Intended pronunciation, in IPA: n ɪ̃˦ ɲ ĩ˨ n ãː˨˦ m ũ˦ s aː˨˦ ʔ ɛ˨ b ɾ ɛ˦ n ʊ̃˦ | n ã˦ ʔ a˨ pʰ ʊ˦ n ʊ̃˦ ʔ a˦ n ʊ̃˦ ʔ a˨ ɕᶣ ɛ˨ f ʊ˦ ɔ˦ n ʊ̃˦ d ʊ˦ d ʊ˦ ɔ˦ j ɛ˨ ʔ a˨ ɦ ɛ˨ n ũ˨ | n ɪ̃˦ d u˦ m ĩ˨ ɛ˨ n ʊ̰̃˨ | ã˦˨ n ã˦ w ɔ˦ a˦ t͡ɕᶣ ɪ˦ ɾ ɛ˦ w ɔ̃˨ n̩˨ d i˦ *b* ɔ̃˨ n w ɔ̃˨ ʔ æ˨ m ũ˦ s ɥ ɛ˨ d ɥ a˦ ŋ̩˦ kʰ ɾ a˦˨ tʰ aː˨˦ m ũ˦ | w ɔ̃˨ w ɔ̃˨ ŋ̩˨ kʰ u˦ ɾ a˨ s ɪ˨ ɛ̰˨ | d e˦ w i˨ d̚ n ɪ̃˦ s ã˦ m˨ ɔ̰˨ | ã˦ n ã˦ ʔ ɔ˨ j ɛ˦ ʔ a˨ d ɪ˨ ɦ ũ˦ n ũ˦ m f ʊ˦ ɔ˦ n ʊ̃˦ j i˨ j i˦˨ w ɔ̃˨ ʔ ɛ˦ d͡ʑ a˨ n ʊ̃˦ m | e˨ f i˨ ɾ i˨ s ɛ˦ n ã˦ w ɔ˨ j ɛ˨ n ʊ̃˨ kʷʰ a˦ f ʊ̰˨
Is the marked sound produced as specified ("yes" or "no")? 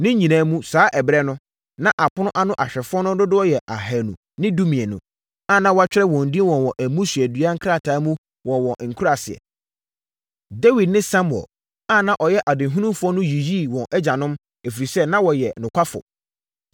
no